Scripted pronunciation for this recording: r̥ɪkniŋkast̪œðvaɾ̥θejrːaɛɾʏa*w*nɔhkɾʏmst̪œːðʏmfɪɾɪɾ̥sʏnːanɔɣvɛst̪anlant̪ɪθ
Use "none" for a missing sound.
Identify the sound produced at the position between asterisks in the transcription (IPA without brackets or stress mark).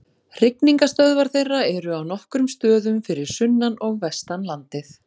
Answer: w